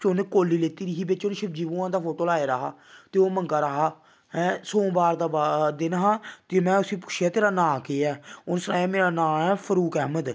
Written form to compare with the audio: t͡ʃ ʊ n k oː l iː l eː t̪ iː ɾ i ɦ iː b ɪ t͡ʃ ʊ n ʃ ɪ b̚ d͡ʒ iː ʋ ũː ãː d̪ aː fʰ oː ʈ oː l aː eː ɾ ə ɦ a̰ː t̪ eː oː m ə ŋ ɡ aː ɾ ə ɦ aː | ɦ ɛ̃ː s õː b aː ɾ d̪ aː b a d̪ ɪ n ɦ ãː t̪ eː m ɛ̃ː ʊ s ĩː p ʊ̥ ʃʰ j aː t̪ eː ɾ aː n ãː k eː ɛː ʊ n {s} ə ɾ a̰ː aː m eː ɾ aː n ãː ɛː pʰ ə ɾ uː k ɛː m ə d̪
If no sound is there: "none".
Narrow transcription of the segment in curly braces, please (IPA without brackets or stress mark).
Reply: s